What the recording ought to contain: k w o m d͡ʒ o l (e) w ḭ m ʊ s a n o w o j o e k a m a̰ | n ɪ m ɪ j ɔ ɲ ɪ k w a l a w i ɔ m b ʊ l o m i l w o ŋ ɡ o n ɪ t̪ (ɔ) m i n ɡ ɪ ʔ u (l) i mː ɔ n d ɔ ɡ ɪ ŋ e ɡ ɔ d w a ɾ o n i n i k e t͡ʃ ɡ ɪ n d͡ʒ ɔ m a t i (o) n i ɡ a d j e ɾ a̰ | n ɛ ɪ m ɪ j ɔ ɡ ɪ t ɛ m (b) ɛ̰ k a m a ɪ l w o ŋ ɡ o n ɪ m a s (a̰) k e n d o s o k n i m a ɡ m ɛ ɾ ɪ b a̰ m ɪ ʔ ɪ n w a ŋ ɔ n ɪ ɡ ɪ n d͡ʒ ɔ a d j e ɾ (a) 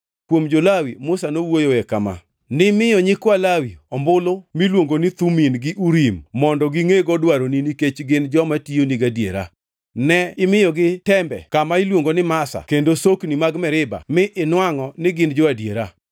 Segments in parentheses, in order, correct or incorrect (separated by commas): incorrect, incorrect, incorrect, correct, correct, correct, correct